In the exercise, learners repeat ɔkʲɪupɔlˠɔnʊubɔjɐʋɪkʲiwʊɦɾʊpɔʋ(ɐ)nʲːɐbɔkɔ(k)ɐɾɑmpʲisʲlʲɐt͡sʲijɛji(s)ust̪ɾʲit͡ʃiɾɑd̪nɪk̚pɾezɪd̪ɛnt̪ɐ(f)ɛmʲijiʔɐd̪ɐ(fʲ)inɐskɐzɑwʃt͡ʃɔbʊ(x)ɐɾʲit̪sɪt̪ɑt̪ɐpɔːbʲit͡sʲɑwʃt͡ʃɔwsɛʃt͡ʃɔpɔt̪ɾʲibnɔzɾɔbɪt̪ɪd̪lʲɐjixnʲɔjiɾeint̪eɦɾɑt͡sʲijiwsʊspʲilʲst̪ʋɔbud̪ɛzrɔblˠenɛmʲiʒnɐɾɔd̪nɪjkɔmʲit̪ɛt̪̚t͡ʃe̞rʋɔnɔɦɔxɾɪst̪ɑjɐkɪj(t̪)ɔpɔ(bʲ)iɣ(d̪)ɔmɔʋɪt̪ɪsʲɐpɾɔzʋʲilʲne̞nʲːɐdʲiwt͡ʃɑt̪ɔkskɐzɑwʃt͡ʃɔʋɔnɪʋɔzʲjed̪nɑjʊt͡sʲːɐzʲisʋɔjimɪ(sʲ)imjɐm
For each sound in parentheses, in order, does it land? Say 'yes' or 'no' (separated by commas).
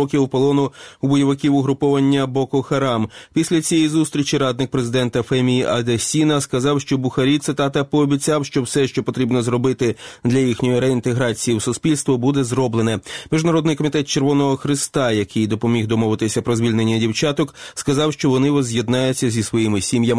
yes, no, no, yes, no, yes, no, no, yes, yes